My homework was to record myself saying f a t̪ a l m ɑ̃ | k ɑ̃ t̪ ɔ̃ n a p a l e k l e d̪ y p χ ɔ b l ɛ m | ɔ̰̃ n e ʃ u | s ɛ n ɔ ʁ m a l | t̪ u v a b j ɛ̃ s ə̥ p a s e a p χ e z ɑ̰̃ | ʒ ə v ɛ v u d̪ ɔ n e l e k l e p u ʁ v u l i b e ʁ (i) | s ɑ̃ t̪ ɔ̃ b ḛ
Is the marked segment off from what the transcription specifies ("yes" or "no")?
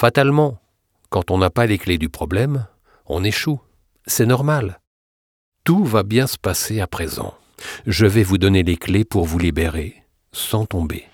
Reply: yes